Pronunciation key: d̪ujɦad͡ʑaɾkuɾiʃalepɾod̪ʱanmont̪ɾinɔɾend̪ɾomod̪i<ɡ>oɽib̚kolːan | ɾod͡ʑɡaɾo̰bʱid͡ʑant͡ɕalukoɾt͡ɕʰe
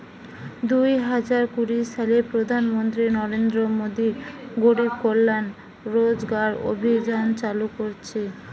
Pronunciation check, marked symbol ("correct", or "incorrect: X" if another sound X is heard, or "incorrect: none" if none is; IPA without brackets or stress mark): correct